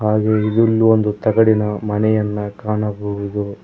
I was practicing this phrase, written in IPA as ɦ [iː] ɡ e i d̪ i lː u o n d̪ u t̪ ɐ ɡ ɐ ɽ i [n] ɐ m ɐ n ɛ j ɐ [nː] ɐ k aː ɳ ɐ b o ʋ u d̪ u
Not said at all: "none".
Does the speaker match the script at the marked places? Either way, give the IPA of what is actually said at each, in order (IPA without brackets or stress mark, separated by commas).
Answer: aː, n, nː